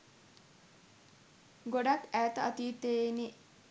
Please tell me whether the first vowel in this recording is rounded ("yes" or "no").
yes